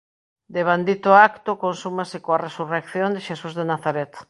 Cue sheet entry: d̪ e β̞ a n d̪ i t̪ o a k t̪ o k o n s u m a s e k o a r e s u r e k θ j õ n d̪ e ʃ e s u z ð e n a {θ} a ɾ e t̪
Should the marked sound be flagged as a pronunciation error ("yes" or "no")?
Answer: no